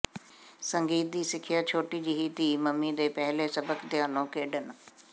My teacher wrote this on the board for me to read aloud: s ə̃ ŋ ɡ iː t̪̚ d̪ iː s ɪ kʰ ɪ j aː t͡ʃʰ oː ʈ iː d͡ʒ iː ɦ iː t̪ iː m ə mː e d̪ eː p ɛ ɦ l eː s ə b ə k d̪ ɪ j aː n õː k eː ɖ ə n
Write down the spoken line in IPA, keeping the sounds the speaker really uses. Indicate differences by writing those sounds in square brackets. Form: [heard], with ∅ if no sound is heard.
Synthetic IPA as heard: s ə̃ ŋ ɡ iː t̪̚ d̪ iː s ɪ kʰ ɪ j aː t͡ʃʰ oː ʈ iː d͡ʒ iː ɦ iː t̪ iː m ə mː [i] d̪ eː p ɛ ɦ l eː s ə b ə k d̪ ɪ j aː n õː k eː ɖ ə n